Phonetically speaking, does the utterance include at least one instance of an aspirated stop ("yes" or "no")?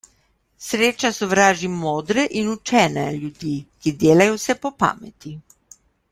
no